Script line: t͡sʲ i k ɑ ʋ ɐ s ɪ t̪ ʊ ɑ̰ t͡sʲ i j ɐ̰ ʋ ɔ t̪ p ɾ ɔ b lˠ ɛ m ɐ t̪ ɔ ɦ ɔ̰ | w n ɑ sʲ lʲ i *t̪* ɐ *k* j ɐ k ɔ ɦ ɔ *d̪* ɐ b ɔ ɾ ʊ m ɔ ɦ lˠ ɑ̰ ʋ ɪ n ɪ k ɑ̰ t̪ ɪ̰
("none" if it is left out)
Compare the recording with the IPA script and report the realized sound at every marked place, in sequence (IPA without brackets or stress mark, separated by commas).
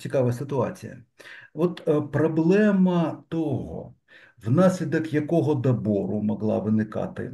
d̪, k, d̪